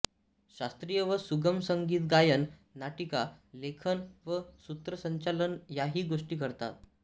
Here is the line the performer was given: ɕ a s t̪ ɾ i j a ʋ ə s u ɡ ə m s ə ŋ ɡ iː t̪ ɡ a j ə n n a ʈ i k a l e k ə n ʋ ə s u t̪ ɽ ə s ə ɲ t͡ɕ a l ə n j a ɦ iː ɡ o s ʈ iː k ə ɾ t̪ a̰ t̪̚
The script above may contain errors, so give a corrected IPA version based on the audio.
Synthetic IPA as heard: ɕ a s t̪ ɾ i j ə ʋ ə s u ɡ ə m s ə ŋ ɡ iː t̪ ɡ a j ə n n a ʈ i k a l e kʰ ə n ʋ ə s u t̪ ɾ ə s ə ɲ t͡ɕ a l ə n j a ɦ iː ɡ o ʂ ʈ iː k ə ɾ t̪ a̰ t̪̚